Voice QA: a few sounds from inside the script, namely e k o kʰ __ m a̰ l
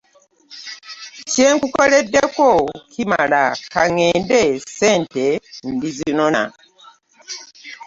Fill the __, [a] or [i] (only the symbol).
i